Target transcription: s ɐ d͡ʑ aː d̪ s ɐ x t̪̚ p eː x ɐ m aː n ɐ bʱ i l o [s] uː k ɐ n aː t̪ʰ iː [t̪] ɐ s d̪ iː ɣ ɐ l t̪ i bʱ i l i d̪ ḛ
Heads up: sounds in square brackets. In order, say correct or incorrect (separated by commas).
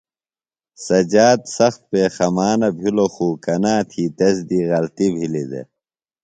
incorrect, correct